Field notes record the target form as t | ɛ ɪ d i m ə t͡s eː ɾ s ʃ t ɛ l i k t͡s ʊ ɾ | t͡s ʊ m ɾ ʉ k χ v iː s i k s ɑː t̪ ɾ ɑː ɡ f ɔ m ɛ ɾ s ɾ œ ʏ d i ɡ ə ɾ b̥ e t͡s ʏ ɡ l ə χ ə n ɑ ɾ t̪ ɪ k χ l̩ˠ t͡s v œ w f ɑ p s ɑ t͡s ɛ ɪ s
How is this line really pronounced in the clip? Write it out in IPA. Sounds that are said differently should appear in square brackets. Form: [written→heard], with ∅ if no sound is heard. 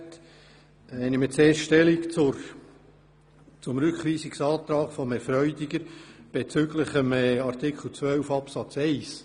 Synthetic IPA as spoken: t | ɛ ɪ [d→n] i m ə t͡s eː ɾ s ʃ t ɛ l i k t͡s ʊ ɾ | t͡s ʊ m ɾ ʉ k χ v iː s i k s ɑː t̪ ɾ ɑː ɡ f ɔ m ɛ ɾ [s→f] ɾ œ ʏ d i ɡ ə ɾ b̥ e t͡s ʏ ɡ l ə χ ə [n→m] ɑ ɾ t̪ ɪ k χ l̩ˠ t͡s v œ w f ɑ p s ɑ t͡s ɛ ɪ s